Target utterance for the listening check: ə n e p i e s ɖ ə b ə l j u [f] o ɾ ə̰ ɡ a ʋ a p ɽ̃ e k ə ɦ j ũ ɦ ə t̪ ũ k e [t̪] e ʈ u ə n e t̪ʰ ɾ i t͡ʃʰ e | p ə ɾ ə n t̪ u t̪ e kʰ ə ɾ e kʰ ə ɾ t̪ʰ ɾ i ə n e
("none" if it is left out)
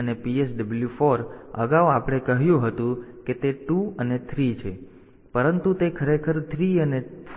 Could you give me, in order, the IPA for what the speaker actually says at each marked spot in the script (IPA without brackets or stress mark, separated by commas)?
f, t̪